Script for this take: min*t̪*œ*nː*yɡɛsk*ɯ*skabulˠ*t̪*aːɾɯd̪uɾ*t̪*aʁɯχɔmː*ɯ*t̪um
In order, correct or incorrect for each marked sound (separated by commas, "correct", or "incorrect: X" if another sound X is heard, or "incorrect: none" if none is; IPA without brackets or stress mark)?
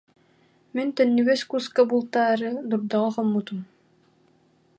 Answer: correct, correct, incorrect: u, correct, incorrect: d̪, incorrect: u